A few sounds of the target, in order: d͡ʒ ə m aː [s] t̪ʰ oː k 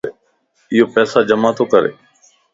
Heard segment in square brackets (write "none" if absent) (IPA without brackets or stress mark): none